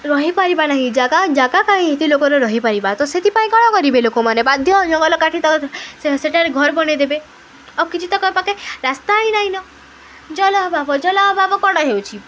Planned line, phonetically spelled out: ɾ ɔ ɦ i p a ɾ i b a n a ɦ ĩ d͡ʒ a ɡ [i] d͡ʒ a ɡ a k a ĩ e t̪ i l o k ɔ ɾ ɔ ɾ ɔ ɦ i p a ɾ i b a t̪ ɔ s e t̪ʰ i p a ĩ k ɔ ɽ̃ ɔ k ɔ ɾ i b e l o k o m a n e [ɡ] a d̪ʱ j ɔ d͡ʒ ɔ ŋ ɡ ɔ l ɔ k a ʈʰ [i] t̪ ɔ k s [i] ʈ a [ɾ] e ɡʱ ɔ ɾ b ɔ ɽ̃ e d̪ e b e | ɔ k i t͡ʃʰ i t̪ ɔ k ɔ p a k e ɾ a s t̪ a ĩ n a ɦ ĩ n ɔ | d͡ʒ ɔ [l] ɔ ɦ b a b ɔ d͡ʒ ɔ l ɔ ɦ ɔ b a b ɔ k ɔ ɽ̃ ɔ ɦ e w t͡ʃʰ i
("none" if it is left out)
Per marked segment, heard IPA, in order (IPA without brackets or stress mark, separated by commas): a, b, i, e, ɾ, l